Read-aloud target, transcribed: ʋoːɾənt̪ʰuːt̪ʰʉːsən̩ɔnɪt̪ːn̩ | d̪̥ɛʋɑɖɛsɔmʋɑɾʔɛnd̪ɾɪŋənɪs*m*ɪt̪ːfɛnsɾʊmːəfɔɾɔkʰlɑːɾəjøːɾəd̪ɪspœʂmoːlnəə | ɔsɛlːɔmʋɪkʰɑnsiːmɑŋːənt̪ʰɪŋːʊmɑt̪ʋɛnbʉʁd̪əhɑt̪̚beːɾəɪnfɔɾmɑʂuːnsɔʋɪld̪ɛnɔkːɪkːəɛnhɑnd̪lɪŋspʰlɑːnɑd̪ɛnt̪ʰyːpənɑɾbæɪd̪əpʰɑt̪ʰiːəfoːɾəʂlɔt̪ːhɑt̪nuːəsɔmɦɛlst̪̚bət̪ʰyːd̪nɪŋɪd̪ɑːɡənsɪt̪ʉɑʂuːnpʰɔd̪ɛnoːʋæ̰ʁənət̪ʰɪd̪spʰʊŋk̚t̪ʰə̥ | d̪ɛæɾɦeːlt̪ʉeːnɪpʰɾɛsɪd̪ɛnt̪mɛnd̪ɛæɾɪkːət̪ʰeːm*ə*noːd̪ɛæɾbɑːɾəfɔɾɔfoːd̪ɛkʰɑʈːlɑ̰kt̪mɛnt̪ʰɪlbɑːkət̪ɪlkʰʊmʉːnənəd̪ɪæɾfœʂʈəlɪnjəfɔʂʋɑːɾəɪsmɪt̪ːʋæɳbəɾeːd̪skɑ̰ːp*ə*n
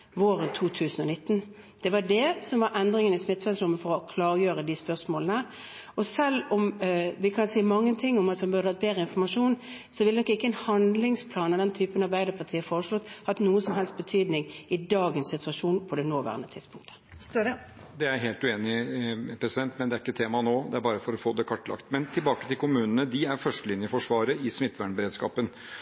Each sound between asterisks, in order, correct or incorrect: correct, incorrect: ɑ, correct

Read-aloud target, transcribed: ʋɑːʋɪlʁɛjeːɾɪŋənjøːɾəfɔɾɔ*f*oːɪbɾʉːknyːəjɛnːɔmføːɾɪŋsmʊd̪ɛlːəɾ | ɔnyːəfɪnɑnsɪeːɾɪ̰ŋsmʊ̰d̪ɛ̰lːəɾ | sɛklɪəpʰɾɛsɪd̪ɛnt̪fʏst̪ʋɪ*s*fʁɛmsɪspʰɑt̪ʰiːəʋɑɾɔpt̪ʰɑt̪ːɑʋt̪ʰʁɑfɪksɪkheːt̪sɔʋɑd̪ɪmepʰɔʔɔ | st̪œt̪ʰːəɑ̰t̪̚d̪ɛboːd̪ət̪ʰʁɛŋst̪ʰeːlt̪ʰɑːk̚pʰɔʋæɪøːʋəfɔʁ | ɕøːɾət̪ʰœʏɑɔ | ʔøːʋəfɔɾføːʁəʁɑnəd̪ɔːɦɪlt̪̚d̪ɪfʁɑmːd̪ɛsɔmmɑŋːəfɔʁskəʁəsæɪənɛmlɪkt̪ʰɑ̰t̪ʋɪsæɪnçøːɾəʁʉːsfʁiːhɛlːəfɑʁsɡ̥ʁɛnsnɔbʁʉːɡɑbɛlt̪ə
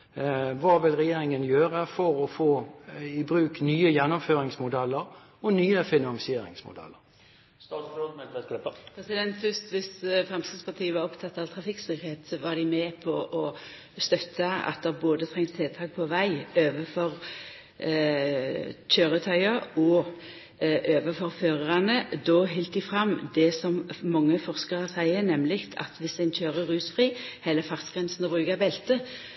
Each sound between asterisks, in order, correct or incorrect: correct, correct

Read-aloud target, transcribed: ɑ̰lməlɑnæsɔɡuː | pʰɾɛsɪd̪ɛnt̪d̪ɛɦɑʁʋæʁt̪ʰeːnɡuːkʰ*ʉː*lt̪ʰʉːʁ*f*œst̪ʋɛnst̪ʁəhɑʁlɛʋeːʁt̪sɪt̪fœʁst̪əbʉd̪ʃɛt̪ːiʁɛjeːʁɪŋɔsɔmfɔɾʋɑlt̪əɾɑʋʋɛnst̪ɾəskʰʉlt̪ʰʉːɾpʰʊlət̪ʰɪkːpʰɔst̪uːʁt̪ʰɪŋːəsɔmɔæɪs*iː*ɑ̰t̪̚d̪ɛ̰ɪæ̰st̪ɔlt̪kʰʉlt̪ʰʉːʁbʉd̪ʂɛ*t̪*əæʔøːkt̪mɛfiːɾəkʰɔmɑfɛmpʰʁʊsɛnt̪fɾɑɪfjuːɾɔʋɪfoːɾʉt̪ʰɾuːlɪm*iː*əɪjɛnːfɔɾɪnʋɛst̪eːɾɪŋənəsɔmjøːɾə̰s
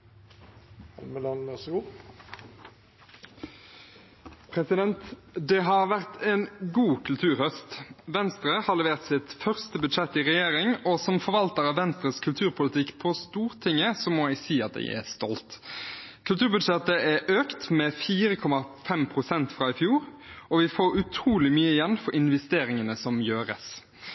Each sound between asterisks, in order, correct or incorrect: incorrect: ʉ, incorrect: h, correct, correct, incorrect: yː

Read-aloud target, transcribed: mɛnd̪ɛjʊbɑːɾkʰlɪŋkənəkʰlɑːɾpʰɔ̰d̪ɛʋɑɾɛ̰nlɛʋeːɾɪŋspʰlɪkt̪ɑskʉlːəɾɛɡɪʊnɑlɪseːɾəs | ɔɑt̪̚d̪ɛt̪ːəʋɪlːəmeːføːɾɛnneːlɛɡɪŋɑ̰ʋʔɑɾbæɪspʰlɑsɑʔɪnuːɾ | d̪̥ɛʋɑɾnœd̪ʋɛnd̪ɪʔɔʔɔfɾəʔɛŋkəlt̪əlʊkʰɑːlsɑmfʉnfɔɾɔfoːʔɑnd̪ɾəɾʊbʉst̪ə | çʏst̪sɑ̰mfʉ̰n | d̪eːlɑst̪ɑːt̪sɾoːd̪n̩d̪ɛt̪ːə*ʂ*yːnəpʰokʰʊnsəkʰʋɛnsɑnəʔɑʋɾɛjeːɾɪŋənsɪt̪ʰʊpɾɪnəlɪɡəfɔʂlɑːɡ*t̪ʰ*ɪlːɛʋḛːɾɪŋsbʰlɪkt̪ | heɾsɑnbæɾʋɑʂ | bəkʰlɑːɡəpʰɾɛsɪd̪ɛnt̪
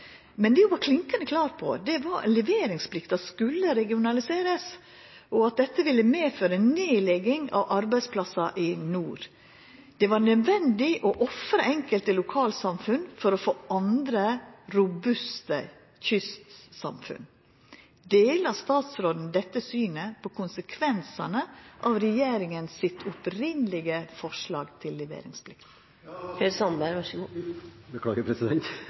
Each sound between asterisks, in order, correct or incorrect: incorrect: s, correct

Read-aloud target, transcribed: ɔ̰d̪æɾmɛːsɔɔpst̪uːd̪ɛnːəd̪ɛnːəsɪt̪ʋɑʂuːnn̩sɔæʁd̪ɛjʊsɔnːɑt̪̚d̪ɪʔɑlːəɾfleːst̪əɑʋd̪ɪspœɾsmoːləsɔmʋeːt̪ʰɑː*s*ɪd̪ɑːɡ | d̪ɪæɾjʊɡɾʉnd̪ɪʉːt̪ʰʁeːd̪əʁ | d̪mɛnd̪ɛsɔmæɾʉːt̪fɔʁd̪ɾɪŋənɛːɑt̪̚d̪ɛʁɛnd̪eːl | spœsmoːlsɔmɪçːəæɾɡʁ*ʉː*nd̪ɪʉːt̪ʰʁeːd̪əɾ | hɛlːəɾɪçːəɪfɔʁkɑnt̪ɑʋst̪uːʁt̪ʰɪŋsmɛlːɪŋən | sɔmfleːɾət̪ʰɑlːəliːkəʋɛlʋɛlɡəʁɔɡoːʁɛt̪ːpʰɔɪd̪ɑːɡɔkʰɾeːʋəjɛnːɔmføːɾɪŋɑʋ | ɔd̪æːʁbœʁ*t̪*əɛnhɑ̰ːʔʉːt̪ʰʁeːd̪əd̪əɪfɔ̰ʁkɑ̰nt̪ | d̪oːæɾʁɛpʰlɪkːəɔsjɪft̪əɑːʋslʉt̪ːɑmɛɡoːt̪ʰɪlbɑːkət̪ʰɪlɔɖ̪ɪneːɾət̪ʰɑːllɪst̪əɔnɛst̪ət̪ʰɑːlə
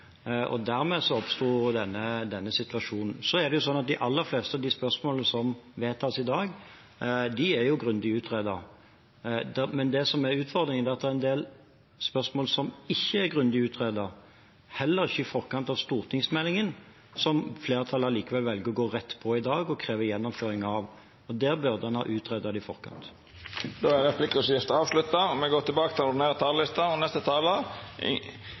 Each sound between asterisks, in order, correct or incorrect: correct, incorrect: ʉ, incorrect: d̪

